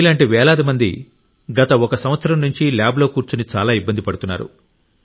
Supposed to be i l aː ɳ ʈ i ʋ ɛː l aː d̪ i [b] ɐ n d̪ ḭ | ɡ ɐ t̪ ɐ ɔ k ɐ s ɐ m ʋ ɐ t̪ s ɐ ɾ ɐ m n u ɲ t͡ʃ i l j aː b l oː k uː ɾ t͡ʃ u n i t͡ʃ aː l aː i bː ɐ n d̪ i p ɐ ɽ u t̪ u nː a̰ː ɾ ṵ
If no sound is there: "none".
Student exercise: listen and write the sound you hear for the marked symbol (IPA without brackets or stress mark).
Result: m